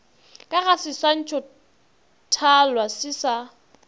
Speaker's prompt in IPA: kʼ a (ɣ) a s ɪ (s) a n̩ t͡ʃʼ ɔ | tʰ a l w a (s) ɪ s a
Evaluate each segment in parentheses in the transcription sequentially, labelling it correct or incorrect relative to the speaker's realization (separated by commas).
correct, correct, correct